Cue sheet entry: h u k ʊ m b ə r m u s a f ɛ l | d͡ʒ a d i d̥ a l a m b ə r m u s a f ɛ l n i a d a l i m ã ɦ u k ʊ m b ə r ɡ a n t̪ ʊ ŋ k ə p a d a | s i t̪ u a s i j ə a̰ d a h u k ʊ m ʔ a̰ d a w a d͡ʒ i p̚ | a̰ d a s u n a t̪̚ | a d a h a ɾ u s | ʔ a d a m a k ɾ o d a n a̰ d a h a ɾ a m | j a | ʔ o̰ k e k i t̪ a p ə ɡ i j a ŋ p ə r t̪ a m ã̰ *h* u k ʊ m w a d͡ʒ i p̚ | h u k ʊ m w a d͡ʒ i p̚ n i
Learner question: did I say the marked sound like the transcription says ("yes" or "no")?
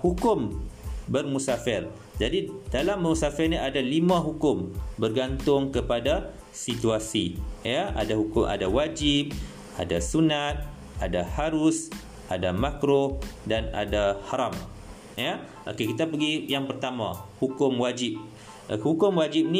yes